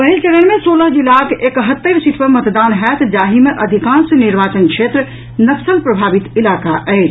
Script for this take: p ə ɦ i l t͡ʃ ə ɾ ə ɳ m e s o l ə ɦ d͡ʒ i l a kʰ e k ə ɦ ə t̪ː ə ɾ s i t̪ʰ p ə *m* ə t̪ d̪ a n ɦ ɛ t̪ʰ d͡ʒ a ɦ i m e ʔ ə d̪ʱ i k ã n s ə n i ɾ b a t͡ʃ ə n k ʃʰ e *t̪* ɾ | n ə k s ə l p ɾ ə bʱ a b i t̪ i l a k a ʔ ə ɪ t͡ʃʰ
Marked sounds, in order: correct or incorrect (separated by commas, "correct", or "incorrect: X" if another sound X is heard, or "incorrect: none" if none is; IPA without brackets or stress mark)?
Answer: correct, correct